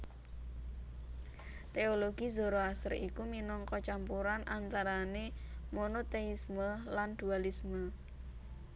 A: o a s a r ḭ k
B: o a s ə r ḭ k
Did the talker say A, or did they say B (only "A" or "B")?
B